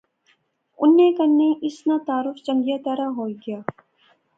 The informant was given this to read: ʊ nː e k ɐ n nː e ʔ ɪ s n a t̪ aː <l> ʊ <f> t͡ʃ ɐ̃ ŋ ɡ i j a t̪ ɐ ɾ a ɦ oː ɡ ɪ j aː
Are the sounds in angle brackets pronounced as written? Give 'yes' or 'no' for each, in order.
no, yes

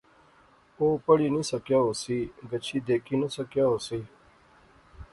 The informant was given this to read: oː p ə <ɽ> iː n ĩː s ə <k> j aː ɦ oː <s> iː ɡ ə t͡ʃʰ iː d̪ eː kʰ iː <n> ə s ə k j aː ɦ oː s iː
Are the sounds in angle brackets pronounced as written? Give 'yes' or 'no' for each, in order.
yes, yes, yes, yes

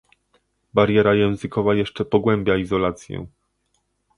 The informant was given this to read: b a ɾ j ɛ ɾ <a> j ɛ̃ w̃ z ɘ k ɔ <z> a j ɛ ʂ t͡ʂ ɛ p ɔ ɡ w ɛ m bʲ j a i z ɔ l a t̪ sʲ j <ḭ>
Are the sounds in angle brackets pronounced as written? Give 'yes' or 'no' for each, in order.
yes, no, no

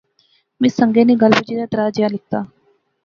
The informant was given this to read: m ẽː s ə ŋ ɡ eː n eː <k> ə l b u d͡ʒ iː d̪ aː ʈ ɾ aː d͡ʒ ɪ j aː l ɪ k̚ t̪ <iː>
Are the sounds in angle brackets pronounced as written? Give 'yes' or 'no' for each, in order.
no, no

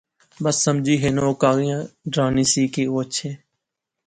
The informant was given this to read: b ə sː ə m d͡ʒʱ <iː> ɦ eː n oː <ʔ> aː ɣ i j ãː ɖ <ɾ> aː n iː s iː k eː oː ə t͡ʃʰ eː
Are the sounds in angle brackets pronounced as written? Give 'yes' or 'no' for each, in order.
yes, no, yes

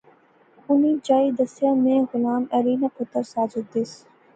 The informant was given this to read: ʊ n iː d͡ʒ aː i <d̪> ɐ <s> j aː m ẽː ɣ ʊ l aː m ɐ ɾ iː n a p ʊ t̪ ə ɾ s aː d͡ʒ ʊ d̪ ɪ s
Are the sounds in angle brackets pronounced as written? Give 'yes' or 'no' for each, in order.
yes, yes

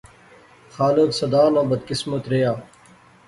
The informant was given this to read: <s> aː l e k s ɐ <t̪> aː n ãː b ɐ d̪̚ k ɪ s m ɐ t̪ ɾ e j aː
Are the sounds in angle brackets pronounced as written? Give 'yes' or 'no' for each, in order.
no, no

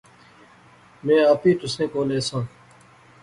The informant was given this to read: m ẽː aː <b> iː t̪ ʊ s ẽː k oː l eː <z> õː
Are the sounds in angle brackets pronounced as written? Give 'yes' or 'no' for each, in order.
no, no

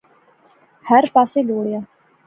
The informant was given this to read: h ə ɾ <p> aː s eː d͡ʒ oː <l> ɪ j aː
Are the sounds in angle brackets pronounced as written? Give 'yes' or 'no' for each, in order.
yes, no

